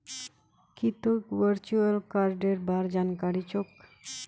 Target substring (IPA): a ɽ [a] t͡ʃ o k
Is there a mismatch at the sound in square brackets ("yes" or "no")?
yes